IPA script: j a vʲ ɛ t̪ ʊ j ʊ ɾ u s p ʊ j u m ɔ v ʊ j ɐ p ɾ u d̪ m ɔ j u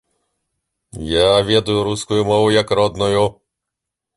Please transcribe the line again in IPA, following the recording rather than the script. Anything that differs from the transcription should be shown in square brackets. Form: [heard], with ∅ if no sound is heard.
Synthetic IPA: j a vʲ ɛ [d̪] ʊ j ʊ ɾ u s [k] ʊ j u m ɔ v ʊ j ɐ [k] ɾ [ɔ] d̪ [n] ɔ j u